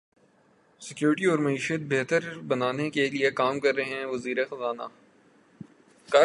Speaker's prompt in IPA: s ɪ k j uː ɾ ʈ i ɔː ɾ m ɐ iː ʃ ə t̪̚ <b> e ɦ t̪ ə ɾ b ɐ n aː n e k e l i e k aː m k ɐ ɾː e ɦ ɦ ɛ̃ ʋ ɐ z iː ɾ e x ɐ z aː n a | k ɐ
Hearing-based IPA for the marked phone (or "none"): b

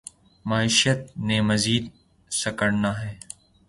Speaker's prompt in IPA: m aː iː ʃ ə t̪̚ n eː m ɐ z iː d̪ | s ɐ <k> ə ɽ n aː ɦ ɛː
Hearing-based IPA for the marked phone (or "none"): k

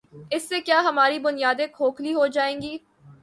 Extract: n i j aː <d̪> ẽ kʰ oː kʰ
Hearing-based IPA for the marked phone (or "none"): d̪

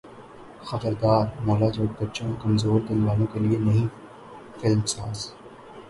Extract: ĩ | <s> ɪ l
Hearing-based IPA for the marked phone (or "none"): f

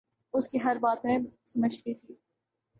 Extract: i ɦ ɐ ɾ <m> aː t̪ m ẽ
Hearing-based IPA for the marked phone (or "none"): b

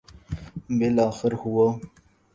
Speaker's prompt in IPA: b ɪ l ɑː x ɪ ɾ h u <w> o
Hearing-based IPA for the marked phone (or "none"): w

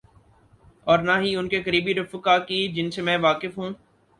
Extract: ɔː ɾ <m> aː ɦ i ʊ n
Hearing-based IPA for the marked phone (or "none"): n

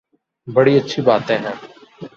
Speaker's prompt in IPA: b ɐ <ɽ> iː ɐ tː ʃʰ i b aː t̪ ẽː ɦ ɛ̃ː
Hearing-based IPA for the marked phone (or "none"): ɽ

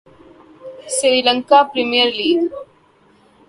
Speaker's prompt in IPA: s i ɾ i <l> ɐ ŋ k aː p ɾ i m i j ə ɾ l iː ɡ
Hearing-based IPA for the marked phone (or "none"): l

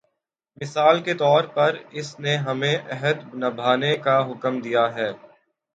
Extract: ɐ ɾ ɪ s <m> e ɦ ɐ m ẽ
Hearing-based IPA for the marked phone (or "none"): n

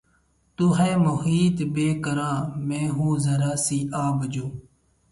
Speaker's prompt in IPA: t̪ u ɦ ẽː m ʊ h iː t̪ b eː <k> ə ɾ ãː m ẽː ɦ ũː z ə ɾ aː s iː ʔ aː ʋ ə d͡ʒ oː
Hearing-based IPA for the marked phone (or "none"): k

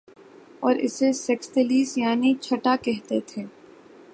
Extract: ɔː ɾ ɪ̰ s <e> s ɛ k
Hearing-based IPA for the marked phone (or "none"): e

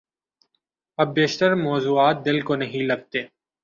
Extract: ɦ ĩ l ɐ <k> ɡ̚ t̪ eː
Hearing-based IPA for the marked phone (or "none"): none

